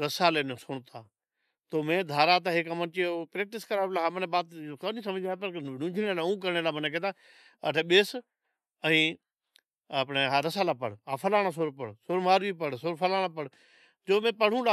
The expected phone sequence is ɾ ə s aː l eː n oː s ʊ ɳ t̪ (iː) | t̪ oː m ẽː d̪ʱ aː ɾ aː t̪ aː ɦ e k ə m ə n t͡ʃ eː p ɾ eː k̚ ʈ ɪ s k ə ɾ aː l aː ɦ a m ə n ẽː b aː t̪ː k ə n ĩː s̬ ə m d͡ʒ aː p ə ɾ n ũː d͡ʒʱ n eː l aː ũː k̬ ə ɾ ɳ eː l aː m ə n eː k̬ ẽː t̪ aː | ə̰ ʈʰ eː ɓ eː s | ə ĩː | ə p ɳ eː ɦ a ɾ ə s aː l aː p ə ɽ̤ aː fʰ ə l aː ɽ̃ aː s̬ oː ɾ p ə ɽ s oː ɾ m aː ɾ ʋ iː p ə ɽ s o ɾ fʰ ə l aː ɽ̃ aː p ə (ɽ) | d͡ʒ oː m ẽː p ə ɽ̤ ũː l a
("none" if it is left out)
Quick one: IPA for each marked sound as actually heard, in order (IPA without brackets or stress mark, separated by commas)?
aː, ɽ